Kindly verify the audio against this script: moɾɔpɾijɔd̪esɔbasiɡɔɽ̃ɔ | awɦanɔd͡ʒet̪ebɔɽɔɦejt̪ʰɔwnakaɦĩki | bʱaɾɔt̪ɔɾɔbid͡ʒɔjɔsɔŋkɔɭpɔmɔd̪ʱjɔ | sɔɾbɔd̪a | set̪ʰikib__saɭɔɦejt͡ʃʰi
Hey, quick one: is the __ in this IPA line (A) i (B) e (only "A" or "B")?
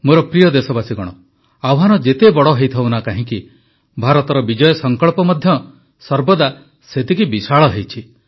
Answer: A